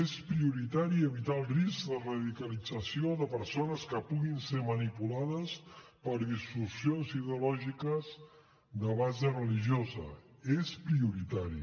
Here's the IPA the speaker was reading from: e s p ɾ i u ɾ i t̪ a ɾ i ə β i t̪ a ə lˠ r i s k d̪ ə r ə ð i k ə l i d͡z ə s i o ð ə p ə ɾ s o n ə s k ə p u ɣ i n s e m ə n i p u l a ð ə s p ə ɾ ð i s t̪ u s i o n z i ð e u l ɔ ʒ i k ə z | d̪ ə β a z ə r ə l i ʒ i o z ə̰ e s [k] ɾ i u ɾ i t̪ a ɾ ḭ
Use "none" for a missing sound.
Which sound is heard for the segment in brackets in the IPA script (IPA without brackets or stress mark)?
p